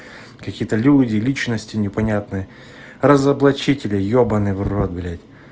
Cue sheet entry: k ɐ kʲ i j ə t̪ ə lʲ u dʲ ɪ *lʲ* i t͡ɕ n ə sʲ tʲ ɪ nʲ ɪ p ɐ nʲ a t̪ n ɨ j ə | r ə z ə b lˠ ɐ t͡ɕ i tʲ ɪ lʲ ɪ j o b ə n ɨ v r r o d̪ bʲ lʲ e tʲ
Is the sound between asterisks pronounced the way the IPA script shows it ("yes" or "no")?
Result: yes